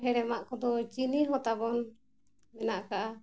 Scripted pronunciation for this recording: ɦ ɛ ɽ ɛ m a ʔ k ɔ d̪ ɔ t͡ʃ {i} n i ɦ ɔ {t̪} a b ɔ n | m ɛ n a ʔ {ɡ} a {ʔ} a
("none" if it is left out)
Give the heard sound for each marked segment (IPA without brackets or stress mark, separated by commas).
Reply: i, t̪, k, ʔ